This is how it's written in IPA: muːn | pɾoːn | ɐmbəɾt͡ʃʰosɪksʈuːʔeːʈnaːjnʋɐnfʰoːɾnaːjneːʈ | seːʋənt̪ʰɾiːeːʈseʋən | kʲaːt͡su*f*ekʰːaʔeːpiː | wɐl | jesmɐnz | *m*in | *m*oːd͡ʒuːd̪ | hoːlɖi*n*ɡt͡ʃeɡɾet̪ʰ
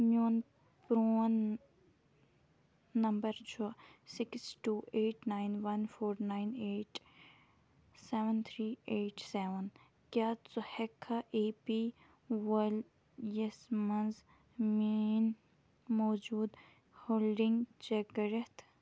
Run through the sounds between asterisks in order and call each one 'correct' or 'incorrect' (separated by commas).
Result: incorrect, correct, correct, incorrect